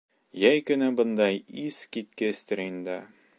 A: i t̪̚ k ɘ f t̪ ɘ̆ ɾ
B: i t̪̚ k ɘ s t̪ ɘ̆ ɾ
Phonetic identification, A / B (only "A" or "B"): B